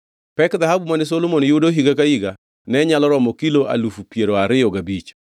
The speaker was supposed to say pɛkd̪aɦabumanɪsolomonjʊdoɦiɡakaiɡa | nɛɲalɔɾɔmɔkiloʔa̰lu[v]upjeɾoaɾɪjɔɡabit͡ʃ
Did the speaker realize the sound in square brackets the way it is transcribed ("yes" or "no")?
no